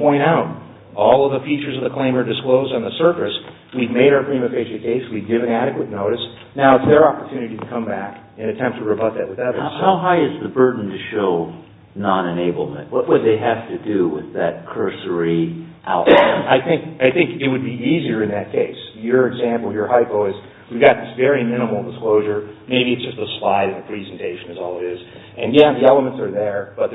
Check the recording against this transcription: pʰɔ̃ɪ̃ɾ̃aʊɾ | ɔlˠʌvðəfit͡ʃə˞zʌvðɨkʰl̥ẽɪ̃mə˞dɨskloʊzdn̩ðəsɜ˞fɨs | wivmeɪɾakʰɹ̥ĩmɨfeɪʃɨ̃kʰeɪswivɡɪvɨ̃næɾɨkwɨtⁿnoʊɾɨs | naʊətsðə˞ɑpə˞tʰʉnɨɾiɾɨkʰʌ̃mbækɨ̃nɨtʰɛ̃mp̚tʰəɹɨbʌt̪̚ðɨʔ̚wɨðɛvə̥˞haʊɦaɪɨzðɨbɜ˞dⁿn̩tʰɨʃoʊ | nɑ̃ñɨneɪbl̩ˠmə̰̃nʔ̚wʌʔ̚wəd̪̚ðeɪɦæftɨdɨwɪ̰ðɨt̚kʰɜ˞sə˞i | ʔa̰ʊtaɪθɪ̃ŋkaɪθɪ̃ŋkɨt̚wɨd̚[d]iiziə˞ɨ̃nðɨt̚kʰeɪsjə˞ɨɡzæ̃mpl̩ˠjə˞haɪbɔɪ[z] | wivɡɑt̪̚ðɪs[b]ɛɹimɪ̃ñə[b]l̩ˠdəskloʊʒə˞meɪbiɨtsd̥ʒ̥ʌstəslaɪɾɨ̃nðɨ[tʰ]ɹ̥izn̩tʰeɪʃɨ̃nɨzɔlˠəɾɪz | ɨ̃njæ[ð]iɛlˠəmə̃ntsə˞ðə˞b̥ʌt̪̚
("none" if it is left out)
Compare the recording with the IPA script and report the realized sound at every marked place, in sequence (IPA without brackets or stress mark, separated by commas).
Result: b, z, v, m, pʰ, ð